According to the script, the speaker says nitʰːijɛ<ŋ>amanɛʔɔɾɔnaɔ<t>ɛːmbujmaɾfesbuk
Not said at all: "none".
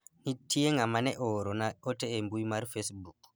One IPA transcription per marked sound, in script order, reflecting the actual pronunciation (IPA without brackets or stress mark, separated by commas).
ŋ, t